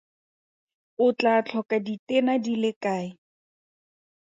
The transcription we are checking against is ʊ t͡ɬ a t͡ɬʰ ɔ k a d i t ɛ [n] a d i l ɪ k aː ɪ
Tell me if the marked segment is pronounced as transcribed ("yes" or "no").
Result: yes